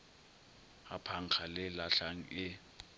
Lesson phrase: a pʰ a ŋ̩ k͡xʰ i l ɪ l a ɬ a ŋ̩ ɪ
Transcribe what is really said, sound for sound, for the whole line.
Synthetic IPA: a pʰ a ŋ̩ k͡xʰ a l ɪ l a ɬ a ŋ̩ ɪ